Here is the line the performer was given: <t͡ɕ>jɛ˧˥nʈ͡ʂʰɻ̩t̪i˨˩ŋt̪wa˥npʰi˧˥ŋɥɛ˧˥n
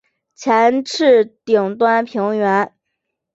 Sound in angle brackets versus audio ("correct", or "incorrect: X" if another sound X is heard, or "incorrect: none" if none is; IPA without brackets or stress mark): incorrect: t͡ɕʰ